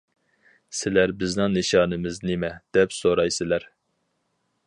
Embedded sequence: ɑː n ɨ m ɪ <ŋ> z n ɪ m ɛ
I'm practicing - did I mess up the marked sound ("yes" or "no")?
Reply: yes